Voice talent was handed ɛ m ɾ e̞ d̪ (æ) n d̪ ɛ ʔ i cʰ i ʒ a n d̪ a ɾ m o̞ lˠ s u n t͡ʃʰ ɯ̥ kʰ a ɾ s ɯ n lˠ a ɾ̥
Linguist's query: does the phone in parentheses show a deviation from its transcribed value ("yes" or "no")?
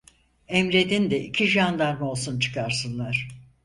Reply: yes